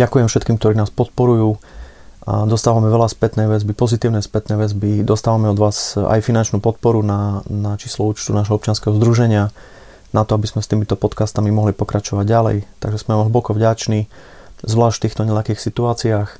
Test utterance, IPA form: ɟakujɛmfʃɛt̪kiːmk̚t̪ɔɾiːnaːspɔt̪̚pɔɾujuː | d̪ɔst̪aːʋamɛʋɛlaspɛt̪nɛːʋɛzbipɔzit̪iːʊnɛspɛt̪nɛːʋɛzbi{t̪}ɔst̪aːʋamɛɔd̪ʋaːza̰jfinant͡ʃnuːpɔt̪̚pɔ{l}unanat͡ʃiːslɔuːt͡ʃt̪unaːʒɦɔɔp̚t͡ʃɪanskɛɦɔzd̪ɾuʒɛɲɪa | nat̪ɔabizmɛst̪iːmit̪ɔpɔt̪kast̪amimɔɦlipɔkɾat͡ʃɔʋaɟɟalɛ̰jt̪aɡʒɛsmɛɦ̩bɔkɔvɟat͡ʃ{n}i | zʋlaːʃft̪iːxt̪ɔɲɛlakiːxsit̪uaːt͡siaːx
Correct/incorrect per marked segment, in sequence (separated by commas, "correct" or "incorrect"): incorrect, incorrect, correct